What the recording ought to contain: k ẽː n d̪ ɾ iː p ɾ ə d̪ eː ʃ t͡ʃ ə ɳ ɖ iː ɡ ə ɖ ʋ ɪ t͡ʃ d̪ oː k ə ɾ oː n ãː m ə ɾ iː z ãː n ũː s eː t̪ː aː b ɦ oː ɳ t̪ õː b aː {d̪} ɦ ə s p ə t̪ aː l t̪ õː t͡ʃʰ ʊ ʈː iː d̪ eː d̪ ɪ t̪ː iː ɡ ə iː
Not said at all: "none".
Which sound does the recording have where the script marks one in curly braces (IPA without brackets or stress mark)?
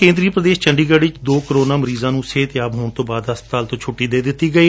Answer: d̪